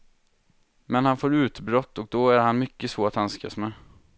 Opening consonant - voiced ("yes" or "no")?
yes